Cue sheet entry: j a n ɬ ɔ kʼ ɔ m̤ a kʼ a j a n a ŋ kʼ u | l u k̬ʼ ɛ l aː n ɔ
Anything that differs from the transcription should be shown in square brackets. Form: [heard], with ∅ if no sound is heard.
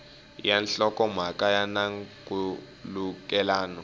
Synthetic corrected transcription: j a n ɬ ɔ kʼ ɔ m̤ a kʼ a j a n a ŋ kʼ u | l u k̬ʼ ɛ l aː n ɔ